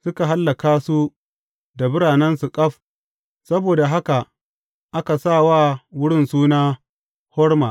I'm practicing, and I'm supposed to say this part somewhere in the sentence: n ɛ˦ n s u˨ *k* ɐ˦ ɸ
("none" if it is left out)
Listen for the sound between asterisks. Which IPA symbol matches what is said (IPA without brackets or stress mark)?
kʼ